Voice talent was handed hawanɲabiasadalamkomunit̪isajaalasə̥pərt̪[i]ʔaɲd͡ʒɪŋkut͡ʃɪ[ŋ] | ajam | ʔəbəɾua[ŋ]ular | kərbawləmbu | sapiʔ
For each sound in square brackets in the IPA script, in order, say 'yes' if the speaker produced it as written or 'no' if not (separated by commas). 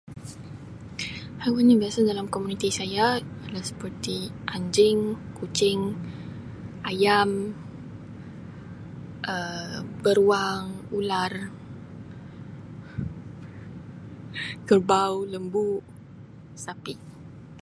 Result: yes, yes, yes